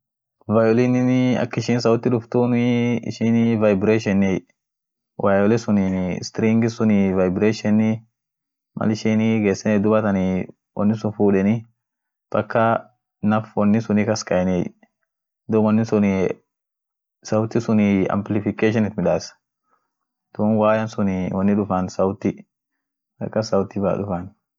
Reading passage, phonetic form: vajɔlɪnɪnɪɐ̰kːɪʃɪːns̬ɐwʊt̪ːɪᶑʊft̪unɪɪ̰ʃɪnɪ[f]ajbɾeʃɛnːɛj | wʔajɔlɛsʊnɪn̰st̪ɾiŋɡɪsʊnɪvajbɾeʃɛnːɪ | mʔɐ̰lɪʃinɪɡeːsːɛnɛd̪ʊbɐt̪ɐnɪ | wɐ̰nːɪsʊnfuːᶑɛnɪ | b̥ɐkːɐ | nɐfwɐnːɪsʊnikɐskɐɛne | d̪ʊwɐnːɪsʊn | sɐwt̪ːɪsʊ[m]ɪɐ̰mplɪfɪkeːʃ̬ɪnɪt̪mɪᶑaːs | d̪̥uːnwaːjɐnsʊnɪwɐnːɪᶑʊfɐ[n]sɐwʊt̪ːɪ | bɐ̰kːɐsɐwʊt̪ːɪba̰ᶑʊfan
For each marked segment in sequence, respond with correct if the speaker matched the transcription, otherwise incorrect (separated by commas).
incorrect, incorrect, correct